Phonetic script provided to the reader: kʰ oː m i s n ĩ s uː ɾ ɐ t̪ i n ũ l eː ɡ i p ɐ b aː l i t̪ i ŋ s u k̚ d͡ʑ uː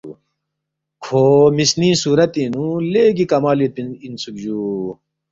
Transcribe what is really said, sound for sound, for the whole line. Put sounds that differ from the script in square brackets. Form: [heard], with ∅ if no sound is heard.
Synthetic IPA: kʰ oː m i s n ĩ s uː ɾ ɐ t̪ i n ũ l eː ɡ i [k] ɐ [m] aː l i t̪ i [n] s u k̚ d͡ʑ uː